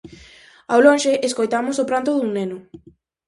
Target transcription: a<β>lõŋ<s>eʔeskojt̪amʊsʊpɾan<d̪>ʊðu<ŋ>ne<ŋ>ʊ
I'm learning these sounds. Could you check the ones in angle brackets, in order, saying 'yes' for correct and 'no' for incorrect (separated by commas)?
no, no, no, yes, no